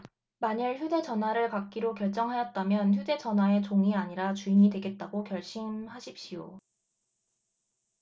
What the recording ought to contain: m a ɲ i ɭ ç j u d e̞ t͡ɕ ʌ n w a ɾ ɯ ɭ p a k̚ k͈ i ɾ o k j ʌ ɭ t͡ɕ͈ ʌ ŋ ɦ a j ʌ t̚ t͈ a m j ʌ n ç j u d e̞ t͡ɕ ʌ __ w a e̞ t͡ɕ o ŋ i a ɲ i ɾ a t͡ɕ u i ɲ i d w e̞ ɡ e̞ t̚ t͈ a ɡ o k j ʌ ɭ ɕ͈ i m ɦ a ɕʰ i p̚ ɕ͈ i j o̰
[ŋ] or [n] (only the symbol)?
n